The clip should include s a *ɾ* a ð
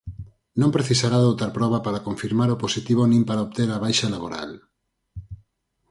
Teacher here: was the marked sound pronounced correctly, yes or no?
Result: yes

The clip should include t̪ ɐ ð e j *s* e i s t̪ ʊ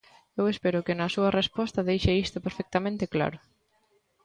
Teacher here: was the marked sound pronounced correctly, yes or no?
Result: no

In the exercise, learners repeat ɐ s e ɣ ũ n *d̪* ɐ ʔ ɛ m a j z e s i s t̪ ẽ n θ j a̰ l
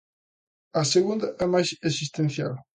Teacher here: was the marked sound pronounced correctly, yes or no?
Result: yes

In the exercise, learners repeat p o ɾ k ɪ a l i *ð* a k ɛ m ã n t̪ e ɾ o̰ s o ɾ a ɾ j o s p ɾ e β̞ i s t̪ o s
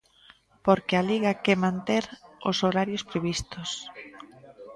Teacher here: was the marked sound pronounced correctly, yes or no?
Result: no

